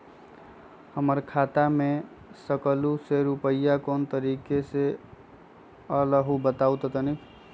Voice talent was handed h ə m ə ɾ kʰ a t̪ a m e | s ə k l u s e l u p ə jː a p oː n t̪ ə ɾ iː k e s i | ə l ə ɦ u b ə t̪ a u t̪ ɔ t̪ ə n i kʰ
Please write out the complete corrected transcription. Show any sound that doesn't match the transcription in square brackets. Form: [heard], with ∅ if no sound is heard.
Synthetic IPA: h ə m ə ɾ kʰ a t̪ a m e | s ə k l u s e [ɾ] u p ə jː a [k] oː n t̪ ə ɾ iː k e s [e] | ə l ə ɦ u b ə t̪ a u t̪ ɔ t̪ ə n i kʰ